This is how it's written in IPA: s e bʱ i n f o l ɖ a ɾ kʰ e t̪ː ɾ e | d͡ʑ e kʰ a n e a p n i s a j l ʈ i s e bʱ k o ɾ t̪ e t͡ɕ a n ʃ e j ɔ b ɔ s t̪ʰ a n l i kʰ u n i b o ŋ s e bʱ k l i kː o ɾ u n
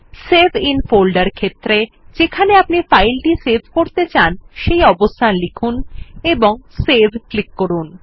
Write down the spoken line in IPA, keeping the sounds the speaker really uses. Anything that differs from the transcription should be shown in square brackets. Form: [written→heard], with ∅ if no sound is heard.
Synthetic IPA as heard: s e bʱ i n f o l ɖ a ɾ kʰ e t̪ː ɾ e | d͡ʑ e kʰ a n e a p n i [s→f] a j l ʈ i s e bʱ k o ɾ t̪ e t͡ɕ a n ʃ e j ɔ b [ɔ→o] s t̪ʰ a n l i kʰ u n [i→e] b o ŋ s e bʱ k l i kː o ɾ u n